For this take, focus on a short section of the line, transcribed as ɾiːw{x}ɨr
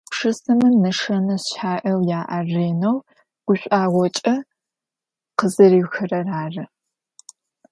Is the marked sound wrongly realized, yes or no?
no